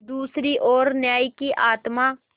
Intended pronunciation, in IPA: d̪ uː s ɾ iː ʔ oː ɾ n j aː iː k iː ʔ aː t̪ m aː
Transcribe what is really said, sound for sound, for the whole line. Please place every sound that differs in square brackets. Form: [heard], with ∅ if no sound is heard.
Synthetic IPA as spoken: d̪ uː s ɾ iː ʔ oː ɾ n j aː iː k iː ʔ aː t̪ m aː